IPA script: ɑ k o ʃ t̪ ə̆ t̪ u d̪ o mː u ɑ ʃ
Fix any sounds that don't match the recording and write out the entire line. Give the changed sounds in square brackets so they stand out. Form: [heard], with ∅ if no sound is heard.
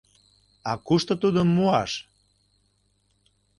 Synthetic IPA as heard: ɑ k [u] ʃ t̪ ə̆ t̪ u d̪ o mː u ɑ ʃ